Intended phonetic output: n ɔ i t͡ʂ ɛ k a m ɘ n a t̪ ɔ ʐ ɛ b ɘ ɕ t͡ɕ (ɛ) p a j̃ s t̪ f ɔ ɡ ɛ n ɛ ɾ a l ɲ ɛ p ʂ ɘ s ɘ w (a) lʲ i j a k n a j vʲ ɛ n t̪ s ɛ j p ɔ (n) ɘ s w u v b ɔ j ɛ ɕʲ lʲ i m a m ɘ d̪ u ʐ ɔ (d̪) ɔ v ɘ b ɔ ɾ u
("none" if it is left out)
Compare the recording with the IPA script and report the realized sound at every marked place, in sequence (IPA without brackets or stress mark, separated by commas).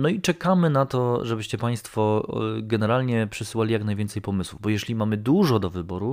ɛ, a, m, d̪